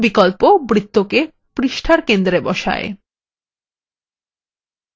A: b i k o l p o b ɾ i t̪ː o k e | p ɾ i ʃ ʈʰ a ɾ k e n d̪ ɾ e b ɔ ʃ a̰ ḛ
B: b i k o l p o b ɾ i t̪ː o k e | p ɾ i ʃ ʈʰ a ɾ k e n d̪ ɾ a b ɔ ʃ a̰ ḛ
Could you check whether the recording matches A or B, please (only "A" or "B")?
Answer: A